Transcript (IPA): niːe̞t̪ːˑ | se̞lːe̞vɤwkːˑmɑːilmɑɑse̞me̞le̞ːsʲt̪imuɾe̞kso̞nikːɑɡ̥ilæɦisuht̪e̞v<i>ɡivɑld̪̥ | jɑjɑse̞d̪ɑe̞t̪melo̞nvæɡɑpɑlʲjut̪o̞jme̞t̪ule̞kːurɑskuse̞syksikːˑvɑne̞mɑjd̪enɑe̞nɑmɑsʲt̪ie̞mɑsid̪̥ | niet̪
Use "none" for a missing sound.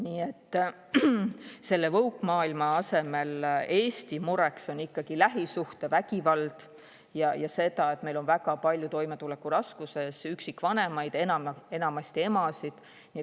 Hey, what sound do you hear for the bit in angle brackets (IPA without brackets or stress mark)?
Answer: æ